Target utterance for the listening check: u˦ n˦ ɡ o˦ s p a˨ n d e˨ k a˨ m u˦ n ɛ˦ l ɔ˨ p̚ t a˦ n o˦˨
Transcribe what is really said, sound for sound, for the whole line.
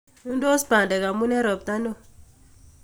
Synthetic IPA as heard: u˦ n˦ d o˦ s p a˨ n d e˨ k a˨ m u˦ n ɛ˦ ɾ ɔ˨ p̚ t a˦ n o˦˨